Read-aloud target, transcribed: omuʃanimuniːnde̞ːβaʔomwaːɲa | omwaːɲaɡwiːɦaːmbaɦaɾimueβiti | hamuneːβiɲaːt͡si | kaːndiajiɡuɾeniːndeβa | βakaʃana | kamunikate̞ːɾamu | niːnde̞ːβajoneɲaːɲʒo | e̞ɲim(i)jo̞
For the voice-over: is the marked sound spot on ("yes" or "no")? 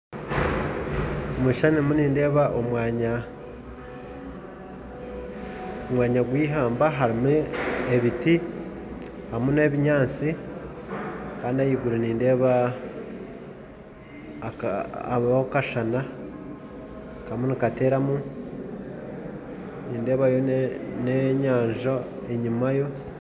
no